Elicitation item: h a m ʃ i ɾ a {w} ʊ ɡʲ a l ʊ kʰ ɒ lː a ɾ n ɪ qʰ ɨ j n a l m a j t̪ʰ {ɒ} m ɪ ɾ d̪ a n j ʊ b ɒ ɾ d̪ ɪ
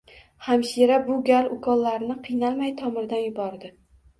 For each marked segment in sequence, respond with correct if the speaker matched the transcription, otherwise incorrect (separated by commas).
incorrect, correct